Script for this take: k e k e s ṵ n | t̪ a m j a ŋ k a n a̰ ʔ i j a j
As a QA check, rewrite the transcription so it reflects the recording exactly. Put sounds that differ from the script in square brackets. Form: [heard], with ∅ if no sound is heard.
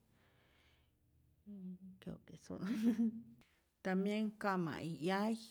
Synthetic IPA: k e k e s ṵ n | t̪ a m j [e] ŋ k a [m] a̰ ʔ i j a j